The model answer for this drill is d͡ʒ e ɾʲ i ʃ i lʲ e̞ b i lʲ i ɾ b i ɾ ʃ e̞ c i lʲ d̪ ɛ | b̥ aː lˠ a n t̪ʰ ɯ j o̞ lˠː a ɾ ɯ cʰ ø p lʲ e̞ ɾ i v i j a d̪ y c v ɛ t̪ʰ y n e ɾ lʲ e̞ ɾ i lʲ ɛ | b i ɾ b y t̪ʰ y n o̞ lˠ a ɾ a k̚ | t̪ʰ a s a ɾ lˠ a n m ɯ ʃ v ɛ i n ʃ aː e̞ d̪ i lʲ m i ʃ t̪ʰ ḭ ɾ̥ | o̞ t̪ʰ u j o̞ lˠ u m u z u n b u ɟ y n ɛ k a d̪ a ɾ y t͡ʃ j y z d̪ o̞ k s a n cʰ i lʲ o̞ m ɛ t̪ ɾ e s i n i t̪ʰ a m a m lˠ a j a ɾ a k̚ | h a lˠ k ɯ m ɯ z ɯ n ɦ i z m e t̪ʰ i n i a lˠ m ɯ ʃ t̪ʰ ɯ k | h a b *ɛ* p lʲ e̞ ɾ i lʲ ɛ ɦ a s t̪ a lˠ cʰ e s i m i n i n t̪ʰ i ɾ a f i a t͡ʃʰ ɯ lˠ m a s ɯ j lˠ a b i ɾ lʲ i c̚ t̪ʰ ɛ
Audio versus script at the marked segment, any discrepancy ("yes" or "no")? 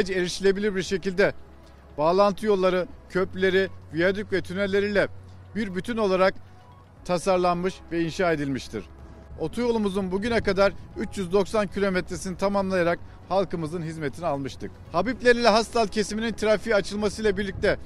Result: yes